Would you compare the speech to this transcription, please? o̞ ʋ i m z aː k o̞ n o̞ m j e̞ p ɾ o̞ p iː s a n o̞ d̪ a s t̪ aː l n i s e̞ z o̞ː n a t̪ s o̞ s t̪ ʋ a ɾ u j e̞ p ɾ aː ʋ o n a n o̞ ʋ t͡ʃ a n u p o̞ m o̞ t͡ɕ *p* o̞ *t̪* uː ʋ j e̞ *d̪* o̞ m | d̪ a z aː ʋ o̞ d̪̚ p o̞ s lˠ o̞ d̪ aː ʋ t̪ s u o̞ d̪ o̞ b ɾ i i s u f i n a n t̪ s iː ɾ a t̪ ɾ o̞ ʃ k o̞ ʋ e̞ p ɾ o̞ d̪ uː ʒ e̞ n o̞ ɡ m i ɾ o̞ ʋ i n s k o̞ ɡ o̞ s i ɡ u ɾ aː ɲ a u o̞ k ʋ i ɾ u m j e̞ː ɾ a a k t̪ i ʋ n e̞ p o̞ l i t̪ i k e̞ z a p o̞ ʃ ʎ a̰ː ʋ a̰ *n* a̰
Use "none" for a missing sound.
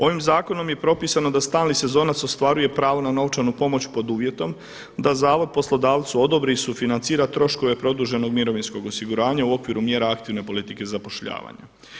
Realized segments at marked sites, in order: p, d̪, t̪, ɲ

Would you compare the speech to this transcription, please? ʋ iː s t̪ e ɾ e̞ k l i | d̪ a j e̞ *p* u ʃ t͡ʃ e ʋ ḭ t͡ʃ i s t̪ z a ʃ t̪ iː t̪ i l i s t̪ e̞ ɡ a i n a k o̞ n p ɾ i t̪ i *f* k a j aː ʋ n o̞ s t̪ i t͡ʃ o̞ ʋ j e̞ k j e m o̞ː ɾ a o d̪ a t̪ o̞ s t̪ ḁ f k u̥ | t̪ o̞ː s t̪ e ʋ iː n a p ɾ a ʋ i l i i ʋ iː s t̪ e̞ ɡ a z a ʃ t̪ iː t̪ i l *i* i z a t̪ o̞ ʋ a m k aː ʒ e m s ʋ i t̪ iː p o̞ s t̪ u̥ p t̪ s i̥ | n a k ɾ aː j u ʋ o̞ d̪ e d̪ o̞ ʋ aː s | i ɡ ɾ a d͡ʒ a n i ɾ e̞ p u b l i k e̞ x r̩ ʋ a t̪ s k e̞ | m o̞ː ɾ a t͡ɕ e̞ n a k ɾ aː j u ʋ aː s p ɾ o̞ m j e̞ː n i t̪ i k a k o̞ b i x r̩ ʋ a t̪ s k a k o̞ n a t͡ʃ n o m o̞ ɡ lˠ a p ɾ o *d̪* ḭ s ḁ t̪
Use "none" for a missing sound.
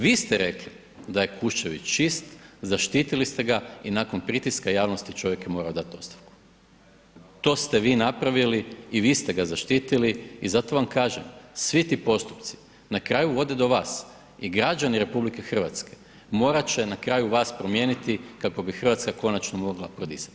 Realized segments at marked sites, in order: k, s, i, d̪

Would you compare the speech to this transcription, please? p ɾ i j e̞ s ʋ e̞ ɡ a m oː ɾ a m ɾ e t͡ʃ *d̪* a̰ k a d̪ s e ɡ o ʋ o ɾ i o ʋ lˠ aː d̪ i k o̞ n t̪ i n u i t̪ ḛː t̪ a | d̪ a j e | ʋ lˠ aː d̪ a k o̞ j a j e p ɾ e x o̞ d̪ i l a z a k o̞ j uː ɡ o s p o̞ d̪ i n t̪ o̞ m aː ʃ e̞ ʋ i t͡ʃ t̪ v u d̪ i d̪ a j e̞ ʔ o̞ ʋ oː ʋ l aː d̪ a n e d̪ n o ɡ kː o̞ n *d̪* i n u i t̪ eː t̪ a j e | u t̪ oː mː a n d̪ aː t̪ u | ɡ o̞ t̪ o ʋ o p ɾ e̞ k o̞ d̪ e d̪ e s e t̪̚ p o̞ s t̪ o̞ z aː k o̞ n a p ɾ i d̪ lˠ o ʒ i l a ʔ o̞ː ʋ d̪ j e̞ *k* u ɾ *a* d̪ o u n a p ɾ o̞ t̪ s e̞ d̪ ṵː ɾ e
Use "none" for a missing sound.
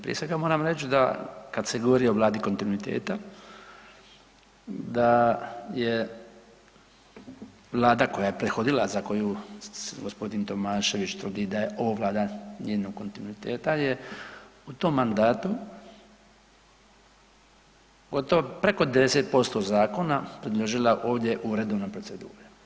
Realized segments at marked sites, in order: d̪, t̪, ʔ, e

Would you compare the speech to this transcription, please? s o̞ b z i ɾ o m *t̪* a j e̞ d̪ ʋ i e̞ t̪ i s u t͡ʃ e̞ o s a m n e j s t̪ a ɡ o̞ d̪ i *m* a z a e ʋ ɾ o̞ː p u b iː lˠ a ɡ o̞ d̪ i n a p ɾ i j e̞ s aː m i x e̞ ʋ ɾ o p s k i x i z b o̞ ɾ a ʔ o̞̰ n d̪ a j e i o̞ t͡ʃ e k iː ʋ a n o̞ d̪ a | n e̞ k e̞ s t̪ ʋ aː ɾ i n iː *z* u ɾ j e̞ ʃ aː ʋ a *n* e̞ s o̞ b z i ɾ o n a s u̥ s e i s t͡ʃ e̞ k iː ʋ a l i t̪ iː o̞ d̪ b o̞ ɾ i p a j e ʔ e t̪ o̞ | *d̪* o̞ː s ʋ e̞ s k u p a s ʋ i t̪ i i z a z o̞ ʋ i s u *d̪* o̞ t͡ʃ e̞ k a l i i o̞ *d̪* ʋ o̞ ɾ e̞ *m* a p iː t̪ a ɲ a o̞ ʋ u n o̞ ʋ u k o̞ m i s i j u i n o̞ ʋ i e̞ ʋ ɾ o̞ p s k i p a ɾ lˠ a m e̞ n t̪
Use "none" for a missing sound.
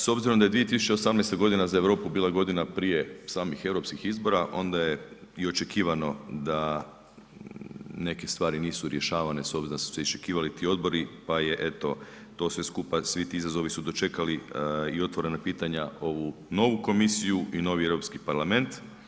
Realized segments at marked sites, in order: d̪, n, s, n, t̪, d̪, t̪, n

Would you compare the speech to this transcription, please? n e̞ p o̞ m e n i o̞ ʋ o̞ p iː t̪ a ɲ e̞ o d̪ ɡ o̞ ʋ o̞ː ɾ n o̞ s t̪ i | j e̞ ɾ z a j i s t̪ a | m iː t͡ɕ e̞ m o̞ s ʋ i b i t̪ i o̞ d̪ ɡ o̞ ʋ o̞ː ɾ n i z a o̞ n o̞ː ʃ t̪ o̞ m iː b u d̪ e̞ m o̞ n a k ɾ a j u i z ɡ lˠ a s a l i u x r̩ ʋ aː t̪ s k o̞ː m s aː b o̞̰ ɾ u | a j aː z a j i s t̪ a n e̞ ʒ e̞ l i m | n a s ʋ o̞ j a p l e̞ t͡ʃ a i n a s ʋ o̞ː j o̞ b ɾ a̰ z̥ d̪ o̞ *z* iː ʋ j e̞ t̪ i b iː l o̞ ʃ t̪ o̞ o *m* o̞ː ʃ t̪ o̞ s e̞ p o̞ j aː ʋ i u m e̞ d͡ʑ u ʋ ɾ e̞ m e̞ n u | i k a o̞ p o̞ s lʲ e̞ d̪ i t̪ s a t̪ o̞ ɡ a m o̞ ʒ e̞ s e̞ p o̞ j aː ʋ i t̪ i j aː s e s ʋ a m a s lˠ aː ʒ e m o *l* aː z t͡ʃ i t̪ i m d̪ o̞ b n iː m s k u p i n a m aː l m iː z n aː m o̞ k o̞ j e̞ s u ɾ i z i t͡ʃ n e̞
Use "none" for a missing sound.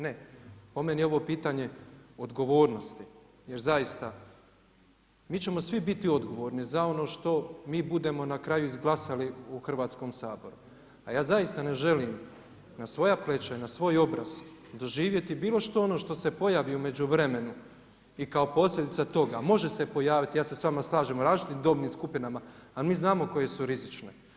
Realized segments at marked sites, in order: ʒ, n, ɾ

